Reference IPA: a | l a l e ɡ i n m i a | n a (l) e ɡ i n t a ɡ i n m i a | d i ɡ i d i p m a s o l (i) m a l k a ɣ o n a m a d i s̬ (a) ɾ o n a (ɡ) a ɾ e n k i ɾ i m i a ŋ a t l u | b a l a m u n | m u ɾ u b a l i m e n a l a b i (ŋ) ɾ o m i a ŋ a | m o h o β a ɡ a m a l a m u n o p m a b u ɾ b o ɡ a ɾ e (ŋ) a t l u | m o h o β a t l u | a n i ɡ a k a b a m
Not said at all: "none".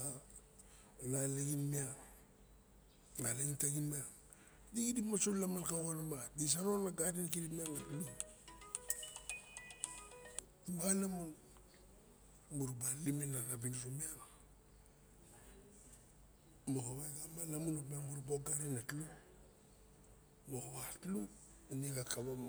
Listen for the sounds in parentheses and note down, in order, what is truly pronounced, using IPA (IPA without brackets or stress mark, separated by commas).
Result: l, a, a, ɡ, n, n